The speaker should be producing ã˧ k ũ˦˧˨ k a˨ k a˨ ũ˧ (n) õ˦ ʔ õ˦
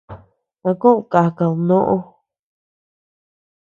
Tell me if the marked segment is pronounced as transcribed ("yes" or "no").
yes